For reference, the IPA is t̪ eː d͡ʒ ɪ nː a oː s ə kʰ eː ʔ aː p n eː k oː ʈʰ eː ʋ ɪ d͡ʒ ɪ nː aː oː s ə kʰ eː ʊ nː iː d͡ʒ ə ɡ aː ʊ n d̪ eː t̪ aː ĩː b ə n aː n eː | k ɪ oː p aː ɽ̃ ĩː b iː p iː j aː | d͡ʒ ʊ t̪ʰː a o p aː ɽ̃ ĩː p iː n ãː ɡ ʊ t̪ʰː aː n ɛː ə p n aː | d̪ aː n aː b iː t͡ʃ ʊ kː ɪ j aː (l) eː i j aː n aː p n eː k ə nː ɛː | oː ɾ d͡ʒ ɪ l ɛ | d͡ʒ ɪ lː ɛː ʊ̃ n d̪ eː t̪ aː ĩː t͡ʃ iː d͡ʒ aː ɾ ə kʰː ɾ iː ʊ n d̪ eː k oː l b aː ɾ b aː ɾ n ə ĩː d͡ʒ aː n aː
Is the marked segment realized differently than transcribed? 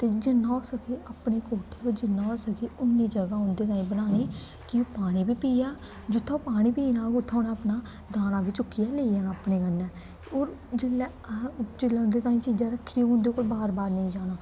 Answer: no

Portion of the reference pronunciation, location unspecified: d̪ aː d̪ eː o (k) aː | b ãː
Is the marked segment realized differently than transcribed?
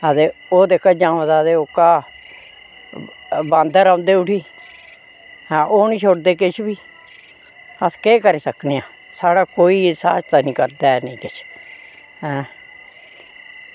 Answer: no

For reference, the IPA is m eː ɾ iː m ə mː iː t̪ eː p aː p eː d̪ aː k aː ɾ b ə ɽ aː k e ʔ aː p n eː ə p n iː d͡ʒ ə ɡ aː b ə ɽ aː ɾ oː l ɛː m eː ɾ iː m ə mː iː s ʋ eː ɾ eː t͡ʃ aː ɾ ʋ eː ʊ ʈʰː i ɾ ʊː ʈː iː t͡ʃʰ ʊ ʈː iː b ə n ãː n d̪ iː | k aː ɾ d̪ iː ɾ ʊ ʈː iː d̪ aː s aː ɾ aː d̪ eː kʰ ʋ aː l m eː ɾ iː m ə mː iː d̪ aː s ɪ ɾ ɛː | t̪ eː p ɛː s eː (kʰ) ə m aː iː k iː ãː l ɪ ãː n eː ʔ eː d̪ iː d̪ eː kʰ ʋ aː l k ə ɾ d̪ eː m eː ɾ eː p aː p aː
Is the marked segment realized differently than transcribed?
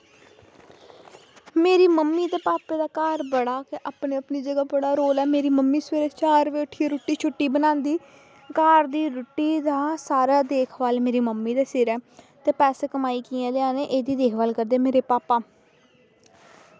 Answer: yes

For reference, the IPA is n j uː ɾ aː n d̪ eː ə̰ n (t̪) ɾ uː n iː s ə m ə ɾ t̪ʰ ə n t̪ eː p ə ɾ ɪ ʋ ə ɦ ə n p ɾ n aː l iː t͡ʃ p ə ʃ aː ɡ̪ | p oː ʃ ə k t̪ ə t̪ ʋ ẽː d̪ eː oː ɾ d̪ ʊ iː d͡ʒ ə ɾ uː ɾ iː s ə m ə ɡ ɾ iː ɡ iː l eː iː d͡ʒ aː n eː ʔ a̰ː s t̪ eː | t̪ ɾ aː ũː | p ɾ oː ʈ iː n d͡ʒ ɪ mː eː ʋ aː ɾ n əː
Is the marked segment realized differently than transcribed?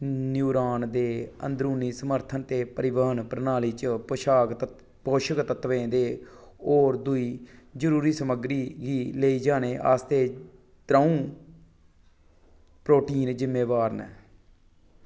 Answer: yes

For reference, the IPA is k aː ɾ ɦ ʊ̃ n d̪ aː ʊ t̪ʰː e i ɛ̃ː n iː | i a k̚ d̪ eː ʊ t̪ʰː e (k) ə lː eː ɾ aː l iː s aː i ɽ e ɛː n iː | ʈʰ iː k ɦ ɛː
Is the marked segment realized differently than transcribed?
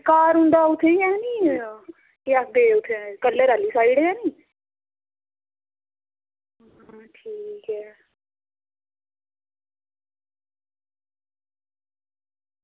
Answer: no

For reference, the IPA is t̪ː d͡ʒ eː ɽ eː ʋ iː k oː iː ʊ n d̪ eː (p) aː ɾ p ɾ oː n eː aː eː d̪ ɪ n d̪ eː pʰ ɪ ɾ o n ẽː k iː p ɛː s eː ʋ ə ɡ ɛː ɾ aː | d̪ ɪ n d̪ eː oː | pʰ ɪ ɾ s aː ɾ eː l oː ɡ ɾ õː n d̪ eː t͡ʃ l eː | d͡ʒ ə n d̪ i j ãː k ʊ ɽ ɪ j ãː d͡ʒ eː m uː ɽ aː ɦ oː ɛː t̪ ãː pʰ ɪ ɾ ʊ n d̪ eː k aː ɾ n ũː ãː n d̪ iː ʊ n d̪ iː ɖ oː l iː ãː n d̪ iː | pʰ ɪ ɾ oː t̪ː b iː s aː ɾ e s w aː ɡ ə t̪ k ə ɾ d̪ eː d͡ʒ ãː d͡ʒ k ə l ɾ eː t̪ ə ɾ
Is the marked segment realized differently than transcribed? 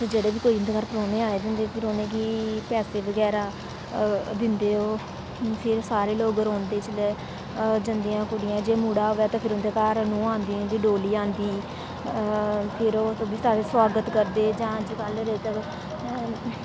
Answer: yes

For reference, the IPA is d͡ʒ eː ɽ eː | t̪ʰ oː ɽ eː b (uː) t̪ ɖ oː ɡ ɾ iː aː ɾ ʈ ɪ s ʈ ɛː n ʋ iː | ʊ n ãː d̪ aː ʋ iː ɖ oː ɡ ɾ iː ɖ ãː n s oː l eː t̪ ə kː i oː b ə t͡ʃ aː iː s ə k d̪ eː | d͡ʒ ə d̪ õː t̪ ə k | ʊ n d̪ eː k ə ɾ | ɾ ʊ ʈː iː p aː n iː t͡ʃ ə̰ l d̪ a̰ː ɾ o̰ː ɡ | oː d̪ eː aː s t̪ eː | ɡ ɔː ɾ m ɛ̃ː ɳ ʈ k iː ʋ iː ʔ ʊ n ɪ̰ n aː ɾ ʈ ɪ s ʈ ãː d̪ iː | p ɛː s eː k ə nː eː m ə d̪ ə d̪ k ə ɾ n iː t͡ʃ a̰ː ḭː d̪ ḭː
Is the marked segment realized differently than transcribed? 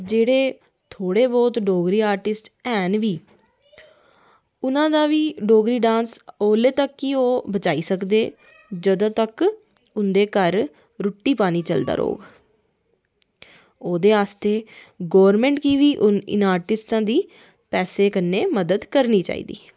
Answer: yes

